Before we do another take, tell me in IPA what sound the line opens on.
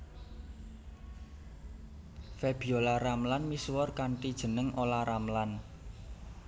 f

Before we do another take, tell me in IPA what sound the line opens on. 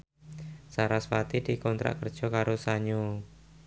s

